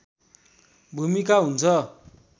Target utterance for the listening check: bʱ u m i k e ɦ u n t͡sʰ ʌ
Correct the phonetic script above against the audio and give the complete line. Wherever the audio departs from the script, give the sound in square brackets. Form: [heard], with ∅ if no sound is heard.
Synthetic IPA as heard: bʱ u m i k [a] ɦ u n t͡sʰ ʌ